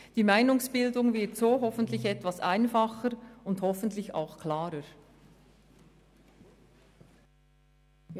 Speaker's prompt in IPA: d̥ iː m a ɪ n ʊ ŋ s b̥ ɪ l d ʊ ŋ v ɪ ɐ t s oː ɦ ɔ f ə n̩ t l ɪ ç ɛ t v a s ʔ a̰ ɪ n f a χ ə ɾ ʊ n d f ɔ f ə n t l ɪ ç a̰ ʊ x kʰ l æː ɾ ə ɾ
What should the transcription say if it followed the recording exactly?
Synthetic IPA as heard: d̥ iː m a ɪ n ʊ ŋ s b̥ ɪ l d ʊ ŋ v ɪ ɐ t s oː ɦ ɔ f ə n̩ t l ɪ ç ɛ t v a s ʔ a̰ ɪ n f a χ ə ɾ ʊ n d h ɔ f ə n t l ɪ ç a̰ ʊ x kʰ l aː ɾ ə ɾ